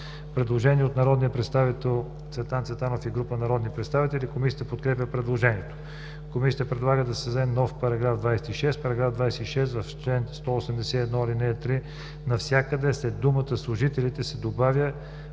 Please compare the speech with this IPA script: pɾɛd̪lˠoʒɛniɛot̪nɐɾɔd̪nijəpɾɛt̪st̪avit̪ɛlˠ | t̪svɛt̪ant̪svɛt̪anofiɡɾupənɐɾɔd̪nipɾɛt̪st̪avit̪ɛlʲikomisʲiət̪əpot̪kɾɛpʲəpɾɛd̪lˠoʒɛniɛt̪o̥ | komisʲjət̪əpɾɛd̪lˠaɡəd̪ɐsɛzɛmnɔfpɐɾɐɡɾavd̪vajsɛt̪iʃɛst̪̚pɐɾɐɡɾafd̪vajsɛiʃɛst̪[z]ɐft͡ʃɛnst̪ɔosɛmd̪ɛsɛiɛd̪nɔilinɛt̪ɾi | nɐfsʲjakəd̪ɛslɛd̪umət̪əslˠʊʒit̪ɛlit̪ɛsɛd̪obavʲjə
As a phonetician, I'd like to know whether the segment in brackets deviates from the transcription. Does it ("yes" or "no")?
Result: yes